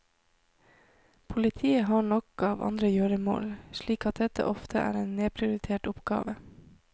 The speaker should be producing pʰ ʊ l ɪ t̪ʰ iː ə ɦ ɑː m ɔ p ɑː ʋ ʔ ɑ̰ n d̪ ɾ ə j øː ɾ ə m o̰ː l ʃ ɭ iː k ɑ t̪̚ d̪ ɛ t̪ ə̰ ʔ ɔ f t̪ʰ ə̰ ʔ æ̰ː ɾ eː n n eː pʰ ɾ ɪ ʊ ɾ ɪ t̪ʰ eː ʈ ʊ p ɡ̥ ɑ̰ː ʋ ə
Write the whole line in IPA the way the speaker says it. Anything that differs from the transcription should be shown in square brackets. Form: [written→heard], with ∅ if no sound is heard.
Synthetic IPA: pʰ ʊ l ɪ t̪ʰ iː ə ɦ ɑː [m→ɳ] ɔ [p→k] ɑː ʋ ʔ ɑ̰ n d̪ ɾ ə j øː ɾ ə m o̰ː l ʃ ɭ iː k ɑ t̪̚ d̪ ɛ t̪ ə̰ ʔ ɔ f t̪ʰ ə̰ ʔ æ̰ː ɾ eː n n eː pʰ ɾ ɪ ʊ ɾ ɪ t̪ʰ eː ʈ ʊ p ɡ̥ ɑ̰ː ʋ ə